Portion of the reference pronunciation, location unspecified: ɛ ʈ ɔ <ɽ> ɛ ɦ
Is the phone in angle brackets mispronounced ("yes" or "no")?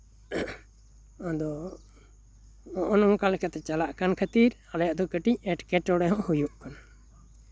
no